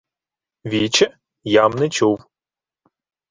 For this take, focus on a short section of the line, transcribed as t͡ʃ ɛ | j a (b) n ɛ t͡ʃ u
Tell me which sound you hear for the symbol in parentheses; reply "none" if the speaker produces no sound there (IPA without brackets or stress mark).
m